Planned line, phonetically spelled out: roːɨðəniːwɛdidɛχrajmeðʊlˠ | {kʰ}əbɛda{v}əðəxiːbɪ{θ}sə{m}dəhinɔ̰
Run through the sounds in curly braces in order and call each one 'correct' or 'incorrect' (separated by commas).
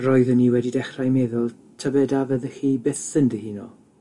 incorrect, correct, correct, incorrect